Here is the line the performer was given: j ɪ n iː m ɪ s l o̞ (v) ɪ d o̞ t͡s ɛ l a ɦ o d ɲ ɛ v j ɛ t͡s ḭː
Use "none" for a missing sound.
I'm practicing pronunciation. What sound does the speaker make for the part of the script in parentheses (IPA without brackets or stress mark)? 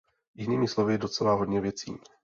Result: v